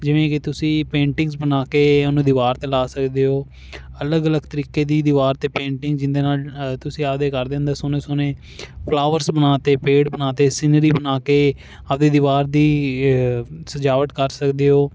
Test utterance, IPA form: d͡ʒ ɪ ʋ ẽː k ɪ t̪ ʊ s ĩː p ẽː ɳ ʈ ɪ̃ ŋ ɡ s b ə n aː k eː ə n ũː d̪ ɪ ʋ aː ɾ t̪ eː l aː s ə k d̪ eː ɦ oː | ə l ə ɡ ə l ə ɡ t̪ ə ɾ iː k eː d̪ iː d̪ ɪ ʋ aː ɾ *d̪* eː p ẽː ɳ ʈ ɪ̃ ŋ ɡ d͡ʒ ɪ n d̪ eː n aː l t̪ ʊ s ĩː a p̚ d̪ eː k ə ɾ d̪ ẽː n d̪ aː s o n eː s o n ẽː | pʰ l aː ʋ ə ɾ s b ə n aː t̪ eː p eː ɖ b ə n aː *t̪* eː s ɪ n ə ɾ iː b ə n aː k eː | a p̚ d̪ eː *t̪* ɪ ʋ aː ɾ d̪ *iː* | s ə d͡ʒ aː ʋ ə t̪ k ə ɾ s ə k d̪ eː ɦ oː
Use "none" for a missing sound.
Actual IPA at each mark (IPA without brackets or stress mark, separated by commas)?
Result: t̪, t̪, d̪, iː